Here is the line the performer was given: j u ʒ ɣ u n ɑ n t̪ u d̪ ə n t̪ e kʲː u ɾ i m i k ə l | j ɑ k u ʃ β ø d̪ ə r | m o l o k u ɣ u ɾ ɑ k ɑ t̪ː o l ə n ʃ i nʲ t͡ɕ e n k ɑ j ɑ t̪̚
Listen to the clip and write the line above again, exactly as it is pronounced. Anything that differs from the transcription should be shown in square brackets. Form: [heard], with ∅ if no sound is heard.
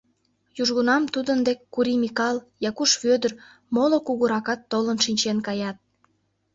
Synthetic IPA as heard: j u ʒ ɣ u n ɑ [m] t̪ u d̪ ə n [d̪] e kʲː u ɾ i m i k [ɑ] l | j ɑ k u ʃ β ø d̪ ə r | m o l o k u ɣ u ɾ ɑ k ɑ t̪ː o l ə n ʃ i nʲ t͡ɕ e n k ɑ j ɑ t̪̚

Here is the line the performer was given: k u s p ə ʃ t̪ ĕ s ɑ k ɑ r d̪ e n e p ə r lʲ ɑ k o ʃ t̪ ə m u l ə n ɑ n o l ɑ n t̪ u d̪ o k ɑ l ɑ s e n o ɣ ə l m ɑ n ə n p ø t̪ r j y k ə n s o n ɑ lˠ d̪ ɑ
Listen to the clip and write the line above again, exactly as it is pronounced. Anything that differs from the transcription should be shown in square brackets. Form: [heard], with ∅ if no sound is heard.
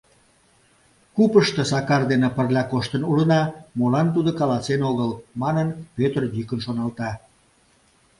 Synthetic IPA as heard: k u [∅] p ə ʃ t̪ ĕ s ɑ k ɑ r d̪ e n e p ə r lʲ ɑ k o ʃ t̪ ə [n] u l ə n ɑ [m] o l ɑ n t̪ u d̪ o k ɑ l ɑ s e n o ɣ ə l m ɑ n ə n p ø t̪ r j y k ə n [ʃ] o n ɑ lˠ [t̪] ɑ

